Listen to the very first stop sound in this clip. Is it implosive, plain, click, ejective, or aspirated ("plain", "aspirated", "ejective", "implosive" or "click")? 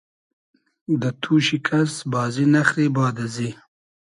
plain